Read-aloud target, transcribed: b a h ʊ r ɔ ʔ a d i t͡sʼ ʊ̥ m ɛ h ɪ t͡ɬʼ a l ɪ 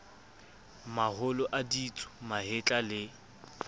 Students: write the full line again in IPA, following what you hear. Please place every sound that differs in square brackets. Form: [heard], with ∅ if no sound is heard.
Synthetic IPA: [m] a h ʊ [l] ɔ ʔ a d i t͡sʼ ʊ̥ m [a] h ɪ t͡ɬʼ a l ɪ